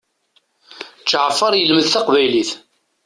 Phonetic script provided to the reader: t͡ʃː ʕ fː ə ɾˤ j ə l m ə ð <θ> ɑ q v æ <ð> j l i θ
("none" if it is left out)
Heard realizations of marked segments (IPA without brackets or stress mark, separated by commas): θ, none